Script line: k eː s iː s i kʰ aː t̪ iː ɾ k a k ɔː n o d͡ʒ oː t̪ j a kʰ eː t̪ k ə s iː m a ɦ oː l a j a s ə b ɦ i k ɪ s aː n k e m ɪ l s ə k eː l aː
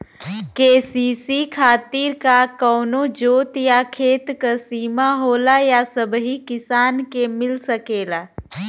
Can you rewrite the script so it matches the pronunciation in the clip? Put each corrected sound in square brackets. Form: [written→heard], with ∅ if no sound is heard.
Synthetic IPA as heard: k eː s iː s i kʰ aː t̪ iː ɾ k a k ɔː n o d͡ʒ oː t̪ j a kʰ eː t̪ k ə s iː m a ɦ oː l a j a s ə b ɦ i k ɪ s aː n k e m ɪ l s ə k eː l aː